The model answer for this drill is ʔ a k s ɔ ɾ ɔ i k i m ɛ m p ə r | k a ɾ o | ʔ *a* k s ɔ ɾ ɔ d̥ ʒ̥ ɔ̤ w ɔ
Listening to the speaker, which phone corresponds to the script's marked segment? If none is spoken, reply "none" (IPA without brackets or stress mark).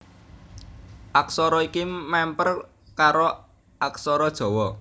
a